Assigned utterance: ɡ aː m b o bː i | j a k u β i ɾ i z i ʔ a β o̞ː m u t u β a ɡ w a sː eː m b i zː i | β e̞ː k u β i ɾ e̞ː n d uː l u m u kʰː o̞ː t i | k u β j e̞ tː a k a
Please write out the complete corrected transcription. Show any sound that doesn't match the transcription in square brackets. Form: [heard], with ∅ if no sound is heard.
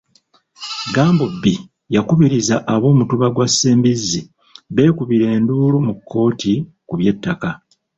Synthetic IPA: ɡ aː m b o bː i | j a k u β i ɾ i z [a] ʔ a β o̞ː m u t u β a ɡ w a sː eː m b i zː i | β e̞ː k u β i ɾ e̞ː n d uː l u m u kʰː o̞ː t i | k u β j e̞ tː a k a